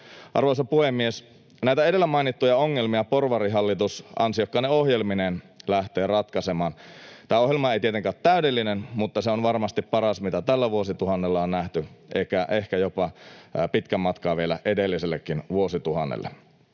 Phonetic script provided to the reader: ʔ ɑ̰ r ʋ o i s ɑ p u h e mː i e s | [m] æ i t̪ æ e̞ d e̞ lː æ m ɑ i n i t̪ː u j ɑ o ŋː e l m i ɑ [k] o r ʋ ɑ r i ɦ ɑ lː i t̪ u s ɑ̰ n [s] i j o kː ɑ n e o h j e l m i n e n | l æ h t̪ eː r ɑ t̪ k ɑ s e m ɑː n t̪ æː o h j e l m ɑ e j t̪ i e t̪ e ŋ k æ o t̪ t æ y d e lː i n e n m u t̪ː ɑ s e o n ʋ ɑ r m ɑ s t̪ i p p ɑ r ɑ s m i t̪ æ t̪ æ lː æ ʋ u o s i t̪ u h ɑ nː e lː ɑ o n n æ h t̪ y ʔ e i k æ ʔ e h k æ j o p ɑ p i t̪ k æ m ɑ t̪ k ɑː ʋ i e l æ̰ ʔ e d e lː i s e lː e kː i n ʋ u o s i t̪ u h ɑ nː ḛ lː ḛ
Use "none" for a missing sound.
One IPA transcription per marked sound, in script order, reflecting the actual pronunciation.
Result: n, p, s

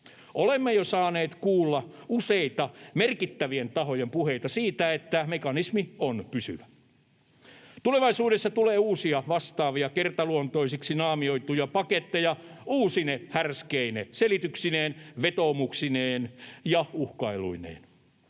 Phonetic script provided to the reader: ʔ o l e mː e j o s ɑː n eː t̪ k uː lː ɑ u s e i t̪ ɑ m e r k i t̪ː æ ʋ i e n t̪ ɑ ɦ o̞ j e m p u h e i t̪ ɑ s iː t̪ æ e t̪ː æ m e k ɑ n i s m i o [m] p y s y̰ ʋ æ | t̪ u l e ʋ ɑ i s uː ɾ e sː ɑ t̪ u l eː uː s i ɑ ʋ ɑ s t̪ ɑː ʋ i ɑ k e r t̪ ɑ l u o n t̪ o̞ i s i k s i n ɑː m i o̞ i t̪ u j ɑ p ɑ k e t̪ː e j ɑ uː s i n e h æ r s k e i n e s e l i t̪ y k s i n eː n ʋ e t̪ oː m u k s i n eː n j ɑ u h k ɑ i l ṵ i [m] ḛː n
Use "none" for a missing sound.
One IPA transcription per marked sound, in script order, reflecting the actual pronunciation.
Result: n, n

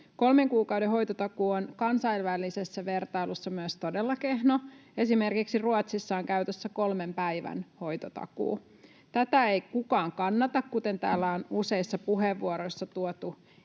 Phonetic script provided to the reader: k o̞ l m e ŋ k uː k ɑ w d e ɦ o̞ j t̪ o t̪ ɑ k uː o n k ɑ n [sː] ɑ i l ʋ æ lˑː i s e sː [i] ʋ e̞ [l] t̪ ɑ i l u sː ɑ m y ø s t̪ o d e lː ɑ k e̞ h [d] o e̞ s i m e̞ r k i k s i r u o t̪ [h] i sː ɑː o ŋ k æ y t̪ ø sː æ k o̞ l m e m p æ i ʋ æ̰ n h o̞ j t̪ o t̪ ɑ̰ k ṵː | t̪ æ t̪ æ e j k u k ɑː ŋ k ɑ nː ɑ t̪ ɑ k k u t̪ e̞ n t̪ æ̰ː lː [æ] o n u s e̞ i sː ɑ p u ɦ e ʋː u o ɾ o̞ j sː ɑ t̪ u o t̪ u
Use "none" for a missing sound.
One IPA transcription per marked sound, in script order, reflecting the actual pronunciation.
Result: s, æ, r, n, s, æ

